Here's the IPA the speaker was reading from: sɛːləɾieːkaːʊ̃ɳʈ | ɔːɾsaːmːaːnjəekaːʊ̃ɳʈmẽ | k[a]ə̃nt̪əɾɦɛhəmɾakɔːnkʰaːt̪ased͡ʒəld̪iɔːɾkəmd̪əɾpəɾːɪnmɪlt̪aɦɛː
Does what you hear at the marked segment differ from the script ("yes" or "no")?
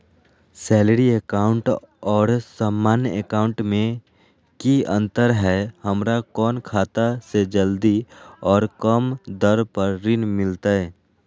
yes